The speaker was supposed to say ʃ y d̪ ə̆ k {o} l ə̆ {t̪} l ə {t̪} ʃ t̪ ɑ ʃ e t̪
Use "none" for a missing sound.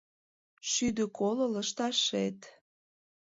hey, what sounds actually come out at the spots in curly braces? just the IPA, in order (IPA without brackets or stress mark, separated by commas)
o, none, none